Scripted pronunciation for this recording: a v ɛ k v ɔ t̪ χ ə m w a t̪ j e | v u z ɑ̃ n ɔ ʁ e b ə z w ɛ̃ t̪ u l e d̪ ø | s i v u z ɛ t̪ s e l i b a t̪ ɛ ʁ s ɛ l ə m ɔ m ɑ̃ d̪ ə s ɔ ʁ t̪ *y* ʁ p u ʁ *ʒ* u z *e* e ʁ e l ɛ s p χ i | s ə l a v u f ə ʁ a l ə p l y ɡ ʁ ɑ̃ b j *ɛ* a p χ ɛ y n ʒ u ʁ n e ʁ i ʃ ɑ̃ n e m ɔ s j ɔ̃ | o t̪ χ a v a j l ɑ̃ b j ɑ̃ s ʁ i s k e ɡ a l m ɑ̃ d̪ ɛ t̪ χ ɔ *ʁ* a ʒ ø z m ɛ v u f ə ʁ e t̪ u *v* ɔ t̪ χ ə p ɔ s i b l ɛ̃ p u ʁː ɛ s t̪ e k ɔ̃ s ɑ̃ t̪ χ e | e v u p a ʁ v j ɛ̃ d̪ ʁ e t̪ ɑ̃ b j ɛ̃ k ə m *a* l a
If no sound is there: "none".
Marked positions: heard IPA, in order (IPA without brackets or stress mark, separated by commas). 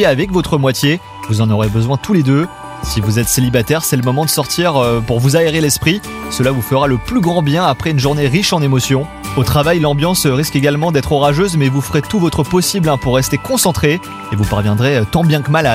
i, v, a, ɛ̃, ʁ, v, a